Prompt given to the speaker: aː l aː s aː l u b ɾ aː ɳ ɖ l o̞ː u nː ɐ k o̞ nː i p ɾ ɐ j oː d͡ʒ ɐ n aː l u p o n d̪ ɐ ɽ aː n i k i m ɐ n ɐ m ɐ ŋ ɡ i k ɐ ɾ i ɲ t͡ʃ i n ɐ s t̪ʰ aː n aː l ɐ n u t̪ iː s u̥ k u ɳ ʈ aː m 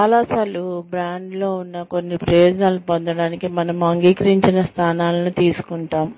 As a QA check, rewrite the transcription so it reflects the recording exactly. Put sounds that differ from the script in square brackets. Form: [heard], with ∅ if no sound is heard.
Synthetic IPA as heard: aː l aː s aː l u b ɾ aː ɳ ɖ l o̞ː u nː ɐ k o̞ nː i p ɾ ɐ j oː d͡ʒ ɐ n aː l u p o n d̪ ɐ ɽ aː n i k i m ɐ n ɐ m ɐ ŋ ɡ [iː] k ɐ ɾ i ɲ t͡ʃ i n ɐ s t̪ʰ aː n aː l ɐ n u t̪ iː s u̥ k u ɳ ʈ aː m